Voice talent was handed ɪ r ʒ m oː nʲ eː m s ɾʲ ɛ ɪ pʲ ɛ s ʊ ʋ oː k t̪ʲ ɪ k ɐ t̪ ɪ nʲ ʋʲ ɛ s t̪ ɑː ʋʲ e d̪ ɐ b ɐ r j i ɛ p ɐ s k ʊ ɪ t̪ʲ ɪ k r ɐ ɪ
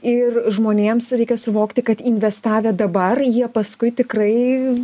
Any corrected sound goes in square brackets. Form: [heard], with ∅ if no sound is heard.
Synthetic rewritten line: ɪ r ʒ m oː nʲ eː m s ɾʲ ɛ ɪ [kʲ] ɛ s ʊ ʋ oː k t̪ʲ ɪ k ɐ t̪ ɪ nʲ ʋʲ ɛ s t̪ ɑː ʋʲ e d̪ ɐ b ɐ r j i ɛ p ɐ s k ʊ ɪ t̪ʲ ɪ k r ɐ ɪ